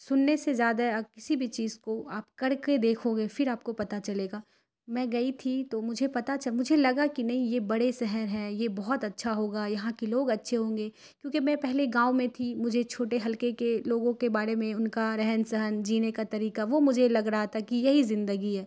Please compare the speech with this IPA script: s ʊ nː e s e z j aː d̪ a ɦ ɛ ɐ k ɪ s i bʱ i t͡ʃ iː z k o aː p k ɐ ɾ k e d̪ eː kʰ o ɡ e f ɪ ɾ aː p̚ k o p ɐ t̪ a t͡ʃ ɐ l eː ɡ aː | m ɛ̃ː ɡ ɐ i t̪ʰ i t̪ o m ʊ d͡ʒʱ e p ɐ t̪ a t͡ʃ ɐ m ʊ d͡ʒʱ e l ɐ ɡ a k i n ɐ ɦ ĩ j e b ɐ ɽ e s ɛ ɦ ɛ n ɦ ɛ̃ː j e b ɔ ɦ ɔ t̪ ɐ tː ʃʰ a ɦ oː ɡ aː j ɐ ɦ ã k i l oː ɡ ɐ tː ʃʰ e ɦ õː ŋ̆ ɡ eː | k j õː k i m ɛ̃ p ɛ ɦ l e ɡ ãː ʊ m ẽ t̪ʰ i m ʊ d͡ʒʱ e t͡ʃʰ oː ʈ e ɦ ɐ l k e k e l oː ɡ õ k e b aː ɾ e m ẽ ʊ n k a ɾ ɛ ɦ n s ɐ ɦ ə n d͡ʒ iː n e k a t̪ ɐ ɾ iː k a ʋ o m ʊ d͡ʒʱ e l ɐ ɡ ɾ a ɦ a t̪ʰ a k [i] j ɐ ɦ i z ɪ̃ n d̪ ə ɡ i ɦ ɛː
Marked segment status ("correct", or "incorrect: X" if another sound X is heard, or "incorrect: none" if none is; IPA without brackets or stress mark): correct